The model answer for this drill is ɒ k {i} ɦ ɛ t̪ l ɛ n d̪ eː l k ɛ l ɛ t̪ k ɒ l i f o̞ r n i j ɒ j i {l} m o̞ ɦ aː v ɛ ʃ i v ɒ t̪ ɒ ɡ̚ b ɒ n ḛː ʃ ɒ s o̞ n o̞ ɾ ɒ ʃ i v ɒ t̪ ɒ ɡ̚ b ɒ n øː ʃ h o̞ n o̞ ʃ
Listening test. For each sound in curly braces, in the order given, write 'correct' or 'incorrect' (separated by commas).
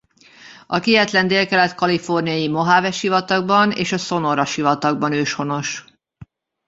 correct, incorrect